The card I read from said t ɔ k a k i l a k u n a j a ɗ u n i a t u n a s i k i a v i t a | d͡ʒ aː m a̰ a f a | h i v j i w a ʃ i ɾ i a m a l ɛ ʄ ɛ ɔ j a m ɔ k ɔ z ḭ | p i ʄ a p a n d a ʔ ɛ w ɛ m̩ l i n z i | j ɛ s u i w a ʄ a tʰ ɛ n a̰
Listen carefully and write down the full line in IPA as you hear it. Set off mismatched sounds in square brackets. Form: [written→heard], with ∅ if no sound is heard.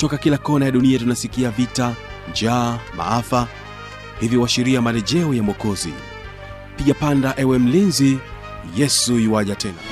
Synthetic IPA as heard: t ɔ k a k i l a k [u→ɔ] n a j a ɗ u n i a t u n a s i k i a v i t a | d͡ʒ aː m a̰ a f a | h i v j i w a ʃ i ɾ i a m a l ɛ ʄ ɛ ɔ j a m ɔ k ɔ z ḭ | p i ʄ a p a n d a ʔ ɛ w ɛ m̩ l i n z i | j ɛ s u i w a ʄ a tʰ ɛ n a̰